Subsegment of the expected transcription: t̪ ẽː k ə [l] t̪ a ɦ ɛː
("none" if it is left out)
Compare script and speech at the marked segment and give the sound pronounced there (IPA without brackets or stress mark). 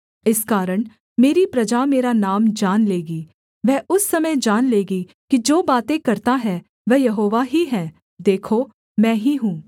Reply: ɾ